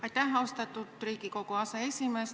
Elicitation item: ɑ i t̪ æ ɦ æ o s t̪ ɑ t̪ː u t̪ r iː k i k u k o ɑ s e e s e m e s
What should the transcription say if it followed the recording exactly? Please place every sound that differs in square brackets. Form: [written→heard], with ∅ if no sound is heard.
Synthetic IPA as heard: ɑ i t̪ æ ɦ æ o s t̪ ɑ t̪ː u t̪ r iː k i k [u→o] k o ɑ s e e s [e→i] m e s